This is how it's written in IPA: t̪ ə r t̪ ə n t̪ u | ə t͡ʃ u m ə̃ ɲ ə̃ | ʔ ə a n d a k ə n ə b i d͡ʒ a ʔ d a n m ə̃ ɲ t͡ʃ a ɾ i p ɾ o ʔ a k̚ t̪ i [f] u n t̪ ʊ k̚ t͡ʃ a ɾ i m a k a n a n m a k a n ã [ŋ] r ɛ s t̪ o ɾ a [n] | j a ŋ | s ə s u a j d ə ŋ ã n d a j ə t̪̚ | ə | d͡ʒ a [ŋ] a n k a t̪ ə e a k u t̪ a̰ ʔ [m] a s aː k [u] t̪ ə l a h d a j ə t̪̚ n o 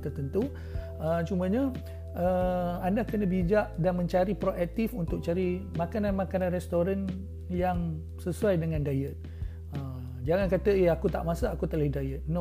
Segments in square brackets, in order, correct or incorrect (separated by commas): correct, incorrect, correct, correct, correct, correct